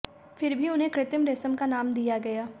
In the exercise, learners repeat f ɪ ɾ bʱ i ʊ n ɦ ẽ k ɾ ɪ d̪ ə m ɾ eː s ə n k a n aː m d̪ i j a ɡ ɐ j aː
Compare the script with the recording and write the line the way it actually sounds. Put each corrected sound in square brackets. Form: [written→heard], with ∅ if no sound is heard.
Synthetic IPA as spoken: f ɪ ɾ bʱ i ʊ n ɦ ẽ k ɾ ɪ [d̪→t̪] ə m ɾ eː s ə [n→m] k a n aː m d̪ i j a ɡ ɐ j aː